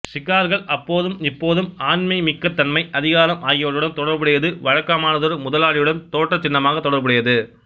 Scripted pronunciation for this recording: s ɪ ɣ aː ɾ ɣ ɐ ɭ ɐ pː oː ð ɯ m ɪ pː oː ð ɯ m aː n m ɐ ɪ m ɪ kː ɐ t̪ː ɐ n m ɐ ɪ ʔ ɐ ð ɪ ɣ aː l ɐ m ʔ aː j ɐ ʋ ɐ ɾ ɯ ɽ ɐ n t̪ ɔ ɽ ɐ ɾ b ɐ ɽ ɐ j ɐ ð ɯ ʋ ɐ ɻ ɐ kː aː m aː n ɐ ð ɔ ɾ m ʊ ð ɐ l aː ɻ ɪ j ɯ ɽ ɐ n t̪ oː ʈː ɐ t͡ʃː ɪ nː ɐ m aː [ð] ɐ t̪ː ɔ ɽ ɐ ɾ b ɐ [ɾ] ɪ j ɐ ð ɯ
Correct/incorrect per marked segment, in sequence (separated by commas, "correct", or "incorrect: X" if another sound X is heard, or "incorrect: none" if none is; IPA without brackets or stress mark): incorrect: ɣ, incorrect: ɽ